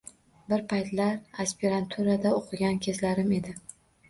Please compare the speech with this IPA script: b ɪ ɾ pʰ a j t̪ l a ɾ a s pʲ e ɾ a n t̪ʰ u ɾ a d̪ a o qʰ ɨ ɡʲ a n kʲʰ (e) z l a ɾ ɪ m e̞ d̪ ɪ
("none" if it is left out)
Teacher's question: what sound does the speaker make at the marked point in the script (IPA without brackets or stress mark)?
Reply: e